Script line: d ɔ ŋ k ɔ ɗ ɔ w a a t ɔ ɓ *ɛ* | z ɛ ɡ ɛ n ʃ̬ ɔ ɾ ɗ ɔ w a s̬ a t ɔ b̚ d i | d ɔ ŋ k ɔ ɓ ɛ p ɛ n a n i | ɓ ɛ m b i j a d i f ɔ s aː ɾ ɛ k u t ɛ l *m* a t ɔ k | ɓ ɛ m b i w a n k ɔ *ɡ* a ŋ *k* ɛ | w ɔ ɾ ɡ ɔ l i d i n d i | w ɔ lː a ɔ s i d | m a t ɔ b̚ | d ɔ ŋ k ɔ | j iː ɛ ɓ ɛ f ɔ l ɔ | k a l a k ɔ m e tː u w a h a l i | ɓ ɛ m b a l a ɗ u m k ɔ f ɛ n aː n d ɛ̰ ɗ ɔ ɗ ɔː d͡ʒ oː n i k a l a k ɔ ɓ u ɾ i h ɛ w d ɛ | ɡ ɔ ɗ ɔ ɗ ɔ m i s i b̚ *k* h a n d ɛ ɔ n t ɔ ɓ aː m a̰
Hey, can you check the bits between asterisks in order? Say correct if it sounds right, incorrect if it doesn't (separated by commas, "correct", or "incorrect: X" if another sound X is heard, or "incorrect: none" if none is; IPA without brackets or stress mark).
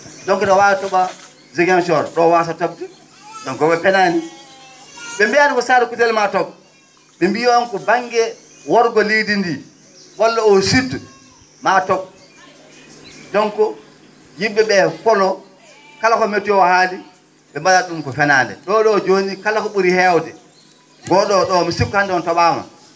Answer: incorrect: a, correct, incorrect: b, incorrect: ɡ, correct